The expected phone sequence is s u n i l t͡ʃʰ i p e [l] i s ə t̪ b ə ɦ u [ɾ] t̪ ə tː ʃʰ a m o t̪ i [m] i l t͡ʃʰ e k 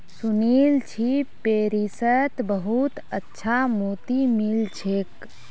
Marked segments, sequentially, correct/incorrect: incorrect, incorrect, correct

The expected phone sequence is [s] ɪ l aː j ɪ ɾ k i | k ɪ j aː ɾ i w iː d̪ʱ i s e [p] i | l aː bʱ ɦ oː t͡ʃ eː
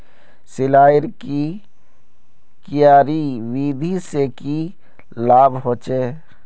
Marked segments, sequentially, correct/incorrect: correct, incorrect

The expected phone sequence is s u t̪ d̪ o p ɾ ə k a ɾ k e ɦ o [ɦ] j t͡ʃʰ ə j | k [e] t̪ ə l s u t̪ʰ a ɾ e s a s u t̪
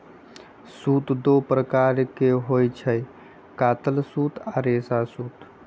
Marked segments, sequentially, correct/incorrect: incorrect, incorrect

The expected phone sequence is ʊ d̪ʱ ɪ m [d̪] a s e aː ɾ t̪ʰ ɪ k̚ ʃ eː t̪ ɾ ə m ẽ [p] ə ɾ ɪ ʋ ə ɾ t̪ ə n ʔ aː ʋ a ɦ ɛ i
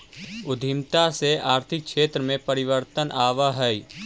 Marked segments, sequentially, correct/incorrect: incorrect, correct

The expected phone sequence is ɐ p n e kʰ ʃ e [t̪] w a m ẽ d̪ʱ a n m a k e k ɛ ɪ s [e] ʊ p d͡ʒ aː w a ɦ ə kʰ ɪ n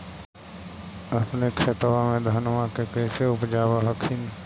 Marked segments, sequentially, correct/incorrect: correct, correct

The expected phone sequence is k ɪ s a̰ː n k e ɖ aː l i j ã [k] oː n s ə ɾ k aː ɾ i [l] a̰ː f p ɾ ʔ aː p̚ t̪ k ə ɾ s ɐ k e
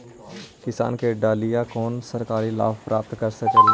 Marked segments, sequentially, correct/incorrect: correct, correct

